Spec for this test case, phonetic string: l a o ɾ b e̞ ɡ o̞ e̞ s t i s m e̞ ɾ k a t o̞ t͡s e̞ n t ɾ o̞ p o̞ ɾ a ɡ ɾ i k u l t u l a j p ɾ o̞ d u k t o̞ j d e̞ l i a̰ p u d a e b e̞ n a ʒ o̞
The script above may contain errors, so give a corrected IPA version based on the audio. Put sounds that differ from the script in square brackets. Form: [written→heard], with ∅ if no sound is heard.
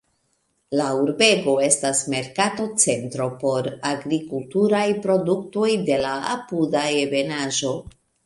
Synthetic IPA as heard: l a [o→u] ɾ b e̞ ɡ o̞ e̞ s t [i→a] s m e̞ ɾ k a t o̞ t͡s e̞ n t ɾ o̞ p o̞ ɾ a ɡ ɾ i k u l t u [l→ɾ] a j p ɾ o̞ d u k t o̞ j d e̞ l [i→a] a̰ p u d a e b e̞ n a ʒ o̞